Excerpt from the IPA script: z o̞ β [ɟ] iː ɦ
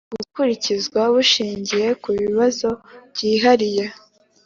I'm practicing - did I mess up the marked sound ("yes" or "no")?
no